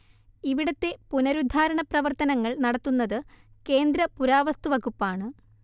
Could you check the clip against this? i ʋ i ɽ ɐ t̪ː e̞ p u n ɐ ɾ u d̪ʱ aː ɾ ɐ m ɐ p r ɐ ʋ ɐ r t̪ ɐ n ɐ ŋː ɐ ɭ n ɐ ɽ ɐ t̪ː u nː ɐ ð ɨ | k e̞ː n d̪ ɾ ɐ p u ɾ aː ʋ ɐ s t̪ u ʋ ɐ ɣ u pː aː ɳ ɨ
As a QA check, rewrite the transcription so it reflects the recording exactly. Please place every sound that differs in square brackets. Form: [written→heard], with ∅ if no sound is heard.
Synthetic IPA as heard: i ʋ i ɽ ɐ t̪ː e̞ p u n ɐ ɾ u d̪ʱ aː ɾ ɐ [m→ɳ] ɐ p r ɐ ʋ ɐ r t̪ ɐ n ɐ ŋː ɐ ɭ n ɐ ɽ ɐ t̪ː u nː ɐ ð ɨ | k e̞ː n d̪ ɾ ɐ p u ɾ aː ʋ ɐ s t̪ u ʋ ɐ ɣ u pː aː ɳ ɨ